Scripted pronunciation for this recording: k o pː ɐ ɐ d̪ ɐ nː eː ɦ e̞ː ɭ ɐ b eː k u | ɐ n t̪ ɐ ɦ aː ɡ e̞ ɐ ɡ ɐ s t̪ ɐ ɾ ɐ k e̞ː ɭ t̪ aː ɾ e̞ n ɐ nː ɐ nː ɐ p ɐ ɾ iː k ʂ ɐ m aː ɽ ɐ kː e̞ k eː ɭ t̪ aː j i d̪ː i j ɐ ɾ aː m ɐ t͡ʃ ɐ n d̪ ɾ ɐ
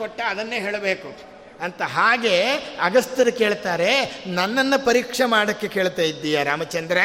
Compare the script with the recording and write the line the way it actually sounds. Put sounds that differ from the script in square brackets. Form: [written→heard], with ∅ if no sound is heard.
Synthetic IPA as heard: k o [pː→ʈː] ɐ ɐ d̪ ɐ nː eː ɦ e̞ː ɭ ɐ b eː k u | ɐ n t̪ ɐ ɦ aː ɡ e̞ ɐ ɡ ɐ s t̪ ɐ ɾ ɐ k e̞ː ɭ t̪ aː ɾ e̞ n ɐ nː ɐ nː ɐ p ɐ ɾ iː k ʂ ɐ m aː ɽ ɐ kː e̞ k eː ɭ t̪ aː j i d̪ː i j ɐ ɾ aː m ɐ t͡ʃ ɐ n d̪ ɾ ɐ